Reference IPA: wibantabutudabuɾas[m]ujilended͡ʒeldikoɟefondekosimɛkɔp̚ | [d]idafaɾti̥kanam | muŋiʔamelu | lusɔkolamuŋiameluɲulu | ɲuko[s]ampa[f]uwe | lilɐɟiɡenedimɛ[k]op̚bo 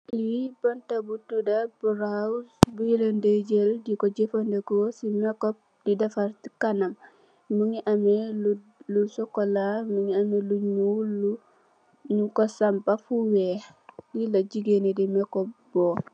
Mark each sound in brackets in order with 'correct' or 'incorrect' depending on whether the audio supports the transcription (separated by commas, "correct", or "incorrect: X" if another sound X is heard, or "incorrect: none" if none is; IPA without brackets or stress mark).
incorrect: b, correct, correct, correct, correct